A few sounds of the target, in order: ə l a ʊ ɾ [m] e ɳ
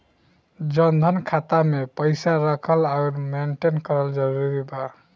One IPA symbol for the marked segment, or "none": m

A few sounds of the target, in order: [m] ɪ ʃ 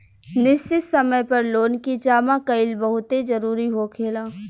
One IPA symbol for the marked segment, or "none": n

